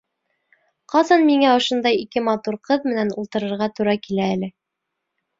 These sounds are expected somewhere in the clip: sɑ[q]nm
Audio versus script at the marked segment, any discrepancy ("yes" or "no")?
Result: yes